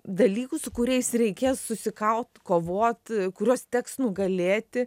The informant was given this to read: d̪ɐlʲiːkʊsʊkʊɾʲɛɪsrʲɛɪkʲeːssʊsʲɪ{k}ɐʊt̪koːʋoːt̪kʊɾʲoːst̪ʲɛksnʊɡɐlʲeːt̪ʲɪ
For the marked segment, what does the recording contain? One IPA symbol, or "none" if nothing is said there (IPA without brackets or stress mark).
k